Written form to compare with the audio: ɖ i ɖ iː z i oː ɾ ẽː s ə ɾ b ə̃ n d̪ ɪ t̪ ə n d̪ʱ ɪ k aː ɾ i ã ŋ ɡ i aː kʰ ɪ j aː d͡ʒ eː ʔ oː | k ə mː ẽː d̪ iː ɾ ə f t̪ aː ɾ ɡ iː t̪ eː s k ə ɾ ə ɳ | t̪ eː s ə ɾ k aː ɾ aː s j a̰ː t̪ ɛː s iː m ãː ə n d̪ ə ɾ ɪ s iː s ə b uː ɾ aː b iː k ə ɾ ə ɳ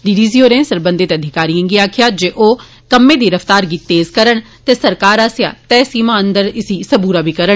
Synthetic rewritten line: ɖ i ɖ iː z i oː ɾ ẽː s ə ɾ b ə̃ n d̪ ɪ t̪ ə d̪ʱ ɪ k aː ɾ i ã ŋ ɡ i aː kʰ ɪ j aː d͡ʒ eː ʔ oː | k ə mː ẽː d̪ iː ɾ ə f t̪ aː ɾ ɡ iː t̪ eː z k ə ɾ ə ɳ | t̪ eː s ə ɾ k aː ɾ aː s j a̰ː t̪ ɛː s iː m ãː ə n d̪ ə ɾ ɪ s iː s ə b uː ɾ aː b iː k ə ɾ ə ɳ